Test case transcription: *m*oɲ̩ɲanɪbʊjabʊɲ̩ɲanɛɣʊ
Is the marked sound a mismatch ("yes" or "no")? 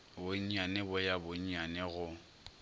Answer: yes